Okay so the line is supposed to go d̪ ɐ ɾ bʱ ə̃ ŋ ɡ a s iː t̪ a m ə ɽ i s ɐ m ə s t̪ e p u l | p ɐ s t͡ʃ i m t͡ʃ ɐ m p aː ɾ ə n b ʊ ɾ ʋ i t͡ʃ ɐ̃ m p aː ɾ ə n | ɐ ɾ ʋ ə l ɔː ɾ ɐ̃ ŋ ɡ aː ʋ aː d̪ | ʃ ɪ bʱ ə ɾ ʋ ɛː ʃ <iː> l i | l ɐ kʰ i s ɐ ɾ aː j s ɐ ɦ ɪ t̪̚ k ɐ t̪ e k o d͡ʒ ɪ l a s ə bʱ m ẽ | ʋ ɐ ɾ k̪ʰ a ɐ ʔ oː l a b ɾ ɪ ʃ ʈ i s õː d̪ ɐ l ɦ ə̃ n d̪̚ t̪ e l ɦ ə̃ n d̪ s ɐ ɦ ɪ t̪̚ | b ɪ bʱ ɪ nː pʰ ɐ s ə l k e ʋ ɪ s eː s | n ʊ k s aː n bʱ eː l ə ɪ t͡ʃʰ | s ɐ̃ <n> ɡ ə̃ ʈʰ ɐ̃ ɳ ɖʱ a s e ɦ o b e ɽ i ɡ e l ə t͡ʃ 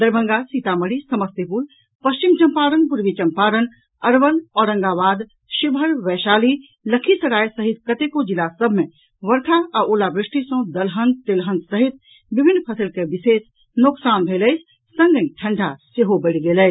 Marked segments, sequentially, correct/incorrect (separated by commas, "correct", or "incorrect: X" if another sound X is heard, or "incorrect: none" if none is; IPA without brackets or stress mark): incorrect: aː, incorrect: ŋ